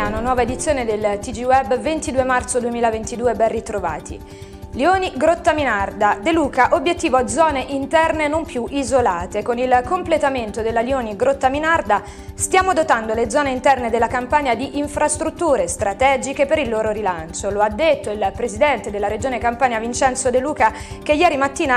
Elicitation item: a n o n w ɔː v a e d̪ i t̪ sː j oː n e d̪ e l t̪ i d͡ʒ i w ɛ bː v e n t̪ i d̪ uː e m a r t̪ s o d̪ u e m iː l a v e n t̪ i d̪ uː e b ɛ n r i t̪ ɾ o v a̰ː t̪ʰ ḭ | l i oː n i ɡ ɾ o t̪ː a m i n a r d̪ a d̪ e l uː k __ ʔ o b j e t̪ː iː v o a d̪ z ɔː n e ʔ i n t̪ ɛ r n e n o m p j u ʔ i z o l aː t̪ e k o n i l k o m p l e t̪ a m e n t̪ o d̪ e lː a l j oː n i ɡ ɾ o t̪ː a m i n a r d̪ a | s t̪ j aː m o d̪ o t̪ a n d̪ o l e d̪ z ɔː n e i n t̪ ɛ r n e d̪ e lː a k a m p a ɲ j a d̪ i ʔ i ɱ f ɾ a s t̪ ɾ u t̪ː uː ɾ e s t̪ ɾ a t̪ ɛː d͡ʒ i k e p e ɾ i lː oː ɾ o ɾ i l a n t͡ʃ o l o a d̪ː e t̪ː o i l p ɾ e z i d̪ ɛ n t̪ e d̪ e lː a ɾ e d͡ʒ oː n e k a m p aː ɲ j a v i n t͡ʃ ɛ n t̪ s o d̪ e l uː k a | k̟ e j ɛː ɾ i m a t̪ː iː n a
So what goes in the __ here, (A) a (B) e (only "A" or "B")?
A